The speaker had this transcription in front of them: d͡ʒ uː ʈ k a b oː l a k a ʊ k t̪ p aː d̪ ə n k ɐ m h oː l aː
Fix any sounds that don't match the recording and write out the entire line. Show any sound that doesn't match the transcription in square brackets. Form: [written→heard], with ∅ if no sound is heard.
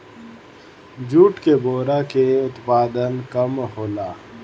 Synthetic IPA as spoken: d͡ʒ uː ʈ k [a→e] b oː [l→ɾ] a k [a→e] ʊ [k→∅] t̪ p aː d̪ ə n k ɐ m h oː l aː